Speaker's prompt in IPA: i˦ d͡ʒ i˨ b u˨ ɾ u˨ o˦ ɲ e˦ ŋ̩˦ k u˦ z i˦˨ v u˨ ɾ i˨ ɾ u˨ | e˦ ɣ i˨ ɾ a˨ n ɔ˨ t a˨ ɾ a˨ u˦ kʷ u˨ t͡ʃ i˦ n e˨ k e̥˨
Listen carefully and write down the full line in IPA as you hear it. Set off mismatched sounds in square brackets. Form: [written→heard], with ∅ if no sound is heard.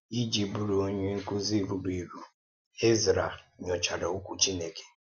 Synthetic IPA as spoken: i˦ d͡ʒ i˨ b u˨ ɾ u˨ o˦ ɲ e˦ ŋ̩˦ k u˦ z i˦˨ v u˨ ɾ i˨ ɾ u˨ | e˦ [ɣ→z] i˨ ɾ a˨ [n→ɲ] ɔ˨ [t→t͡ʃ] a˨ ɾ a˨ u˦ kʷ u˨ t͡ʃ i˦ n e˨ k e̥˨